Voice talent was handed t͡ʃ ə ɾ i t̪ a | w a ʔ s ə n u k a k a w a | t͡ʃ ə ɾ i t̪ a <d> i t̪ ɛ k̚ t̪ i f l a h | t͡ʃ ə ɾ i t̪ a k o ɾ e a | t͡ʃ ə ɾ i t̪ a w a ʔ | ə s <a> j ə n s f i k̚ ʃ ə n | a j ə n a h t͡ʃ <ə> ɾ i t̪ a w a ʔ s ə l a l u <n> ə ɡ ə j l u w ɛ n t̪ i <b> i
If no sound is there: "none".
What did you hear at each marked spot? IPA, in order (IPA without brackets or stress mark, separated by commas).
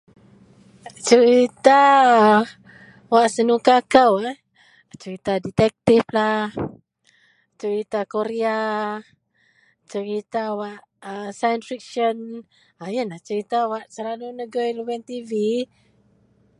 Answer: d, a, ə, n, v